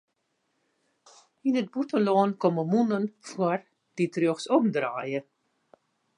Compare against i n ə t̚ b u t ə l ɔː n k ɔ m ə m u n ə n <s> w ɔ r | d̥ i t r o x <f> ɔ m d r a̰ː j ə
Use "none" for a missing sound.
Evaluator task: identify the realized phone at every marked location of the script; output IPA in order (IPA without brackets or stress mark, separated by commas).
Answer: f, s